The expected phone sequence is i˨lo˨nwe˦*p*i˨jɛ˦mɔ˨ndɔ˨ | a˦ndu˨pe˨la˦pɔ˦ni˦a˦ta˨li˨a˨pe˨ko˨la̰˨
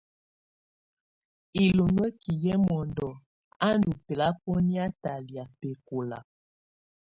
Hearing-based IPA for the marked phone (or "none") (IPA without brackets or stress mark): k